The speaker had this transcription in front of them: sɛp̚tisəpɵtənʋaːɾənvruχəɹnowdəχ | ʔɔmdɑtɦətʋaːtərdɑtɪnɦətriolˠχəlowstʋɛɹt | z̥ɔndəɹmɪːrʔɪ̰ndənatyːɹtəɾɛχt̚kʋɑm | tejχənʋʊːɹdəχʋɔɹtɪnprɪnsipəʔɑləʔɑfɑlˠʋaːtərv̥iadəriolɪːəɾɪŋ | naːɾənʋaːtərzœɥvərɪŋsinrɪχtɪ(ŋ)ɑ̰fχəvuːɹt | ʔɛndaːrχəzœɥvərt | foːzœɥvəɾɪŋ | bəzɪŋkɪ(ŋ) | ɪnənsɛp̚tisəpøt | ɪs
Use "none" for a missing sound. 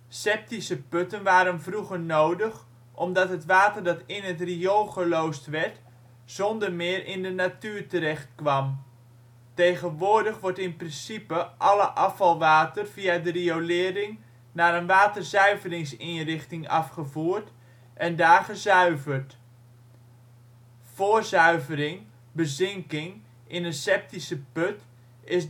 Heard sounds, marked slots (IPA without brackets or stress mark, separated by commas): ŋ, ŋ